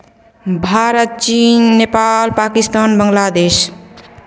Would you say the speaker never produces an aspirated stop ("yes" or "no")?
yes